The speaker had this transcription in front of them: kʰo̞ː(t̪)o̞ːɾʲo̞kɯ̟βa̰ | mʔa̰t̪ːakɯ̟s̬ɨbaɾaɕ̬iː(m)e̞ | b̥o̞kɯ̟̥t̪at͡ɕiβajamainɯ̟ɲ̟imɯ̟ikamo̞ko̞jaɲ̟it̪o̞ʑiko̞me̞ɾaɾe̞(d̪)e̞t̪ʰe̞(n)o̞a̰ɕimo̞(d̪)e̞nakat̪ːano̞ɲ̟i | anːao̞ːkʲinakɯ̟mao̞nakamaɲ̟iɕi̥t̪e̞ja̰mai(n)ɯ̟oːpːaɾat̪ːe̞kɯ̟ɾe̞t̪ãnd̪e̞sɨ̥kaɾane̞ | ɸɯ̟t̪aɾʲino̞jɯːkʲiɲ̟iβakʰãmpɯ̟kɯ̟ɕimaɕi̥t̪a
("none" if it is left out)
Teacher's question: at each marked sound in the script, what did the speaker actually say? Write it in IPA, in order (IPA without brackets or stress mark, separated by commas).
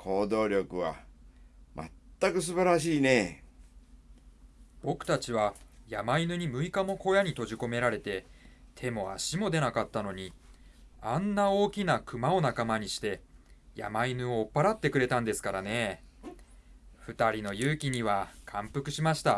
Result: d̪, n, t̪, m, d̪, n